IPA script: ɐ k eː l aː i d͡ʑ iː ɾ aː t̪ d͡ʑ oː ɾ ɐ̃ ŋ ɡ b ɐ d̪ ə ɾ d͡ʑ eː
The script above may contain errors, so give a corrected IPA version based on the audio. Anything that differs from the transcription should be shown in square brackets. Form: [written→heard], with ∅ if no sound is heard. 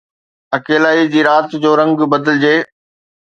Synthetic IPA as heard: ɐ k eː l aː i d͡ʑ iː ɾ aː t̪ d͡ʑ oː ɾ ɐ̃ ŋ ɡ b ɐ d̪ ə [ɾ→l] d͡ʑ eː